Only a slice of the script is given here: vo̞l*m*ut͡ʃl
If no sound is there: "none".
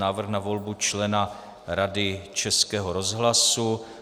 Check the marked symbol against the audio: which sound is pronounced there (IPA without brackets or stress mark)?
b